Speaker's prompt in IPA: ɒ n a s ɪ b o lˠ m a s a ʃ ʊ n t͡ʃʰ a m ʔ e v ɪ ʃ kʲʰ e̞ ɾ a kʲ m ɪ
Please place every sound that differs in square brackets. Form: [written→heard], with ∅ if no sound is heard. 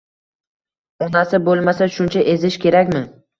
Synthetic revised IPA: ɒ n a s ɪ b o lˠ m a s a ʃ ʊ n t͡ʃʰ a [m→∅] ʔ e [v→z] ɪ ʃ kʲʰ e̞ ɾ a kʲ m ɪ